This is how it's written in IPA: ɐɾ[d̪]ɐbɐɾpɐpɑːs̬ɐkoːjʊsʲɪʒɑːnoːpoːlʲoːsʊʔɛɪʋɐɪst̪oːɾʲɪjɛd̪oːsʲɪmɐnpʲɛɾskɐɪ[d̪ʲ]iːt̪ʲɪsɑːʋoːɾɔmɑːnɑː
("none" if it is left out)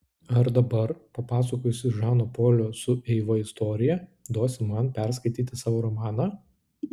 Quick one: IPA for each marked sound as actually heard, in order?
d̪, t̪ʲ

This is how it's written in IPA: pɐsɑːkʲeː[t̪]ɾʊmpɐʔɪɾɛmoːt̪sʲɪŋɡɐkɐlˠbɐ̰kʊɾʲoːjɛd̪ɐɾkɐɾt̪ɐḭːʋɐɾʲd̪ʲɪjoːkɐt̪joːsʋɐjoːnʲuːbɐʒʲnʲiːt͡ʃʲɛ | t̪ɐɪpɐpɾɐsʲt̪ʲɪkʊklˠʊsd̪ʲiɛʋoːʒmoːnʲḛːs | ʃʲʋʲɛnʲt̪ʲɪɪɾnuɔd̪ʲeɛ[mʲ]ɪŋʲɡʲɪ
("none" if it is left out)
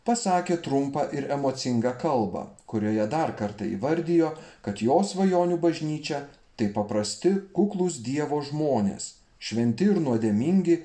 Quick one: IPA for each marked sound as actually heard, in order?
t̪, mʲ

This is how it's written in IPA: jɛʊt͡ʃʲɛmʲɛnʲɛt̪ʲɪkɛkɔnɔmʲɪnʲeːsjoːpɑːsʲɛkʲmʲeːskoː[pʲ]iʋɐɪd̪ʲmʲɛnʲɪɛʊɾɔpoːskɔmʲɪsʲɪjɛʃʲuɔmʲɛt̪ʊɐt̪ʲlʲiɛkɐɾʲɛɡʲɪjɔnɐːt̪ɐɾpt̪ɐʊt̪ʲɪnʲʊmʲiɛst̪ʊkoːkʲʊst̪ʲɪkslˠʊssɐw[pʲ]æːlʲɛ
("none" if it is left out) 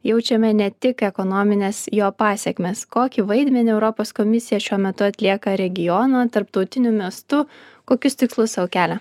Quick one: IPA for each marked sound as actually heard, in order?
kʲ, kʲ

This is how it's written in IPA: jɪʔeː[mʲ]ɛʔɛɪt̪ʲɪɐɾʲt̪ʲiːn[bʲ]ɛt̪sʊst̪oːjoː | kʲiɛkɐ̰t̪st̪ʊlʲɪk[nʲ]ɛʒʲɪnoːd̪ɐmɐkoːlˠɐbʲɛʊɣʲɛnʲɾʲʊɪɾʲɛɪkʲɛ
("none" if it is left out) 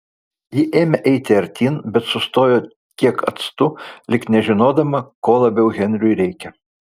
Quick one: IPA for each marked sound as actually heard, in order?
mʲ, bʲ, nʲ

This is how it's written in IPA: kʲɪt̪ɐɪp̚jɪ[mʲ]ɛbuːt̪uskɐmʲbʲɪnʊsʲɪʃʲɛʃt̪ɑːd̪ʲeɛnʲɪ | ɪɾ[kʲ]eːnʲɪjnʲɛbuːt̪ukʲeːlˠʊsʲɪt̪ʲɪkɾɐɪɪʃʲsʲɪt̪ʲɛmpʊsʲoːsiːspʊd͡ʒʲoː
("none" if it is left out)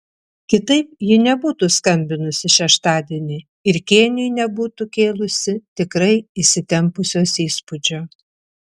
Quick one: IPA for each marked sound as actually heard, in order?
nʲ, kʲ

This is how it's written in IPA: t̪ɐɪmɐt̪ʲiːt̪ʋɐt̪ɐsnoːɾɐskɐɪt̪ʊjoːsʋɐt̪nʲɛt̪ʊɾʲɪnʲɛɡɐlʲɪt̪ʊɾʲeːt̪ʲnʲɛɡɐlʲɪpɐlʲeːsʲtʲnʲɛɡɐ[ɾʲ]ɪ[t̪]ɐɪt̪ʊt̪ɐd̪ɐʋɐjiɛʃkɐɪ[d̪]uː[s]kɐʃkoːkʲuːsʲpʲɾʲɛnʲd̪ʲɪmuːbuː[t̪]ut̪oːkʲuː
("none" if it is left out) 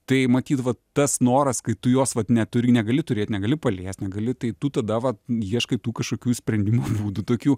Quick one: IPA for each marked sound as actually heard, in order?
lʲ, t̪, t̪, none, d̪

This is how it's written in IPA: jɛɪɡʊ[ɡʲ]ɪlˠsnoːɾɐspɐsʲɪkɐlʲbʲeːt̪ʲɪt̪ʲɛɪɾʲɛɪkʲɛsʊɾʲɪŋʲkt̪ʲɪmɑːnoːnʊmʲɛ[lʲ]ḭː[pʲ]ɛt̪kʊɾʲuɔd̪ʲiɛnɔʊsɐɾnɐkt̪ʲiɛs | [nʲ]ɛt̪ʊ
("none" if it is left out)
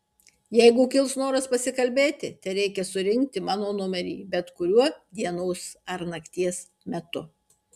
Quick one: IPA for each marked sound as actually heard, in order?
kʲ, ɾʲ, bʲ, mʲ

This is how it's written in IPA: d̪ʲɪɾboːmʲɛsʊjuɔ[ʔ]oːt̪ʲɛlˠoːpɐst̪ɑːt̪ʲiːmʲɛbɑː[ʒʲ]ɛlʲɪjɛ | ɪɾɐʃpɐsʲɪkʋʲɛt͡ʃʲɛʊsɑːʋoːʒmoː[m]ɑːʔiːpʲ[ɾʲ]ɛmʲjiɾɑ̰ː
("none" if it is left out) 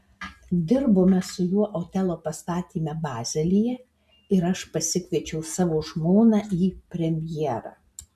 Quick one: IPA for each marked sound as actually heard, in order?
ʔ, zʲ, n, ɾʲ

